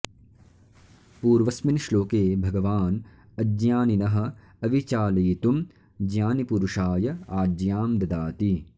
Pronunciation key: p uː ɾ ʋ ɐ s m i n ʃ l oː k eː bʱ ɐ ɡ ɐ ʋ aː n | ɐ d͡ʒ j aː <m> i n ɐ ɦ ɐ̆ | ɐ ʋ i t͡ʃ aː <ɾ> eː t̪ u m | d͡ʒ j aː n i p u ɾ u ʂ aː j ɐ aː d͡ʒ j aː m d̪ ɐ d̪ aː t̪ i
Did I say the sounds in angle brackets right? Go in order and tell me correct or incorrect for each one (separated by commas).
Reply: incorrect, incorrect